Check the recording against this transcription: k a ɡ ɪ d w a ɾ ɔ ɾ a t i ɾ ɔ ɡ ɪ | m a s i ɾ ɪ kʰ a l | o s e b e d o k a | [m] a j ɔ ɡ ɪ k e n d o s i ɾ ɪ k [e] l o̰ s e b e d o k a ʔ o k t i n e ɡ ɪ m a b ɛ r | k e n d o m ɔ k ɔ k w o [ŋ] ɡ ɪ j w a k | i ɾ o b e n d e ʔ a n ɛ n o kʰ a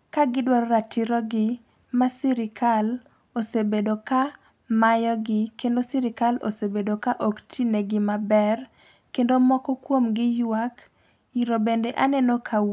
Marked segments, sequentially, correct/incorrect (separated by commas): correct, incorrect, incorrect